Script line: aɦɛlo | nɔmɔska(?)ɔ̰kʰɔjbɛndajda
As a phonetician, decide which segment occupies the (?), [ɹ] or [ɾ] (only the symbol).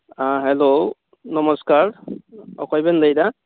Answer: ɹ